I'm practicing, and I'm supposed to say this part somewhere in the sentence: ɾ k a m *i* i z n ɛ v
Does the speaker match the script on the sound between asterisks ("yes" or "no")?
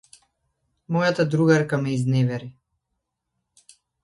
no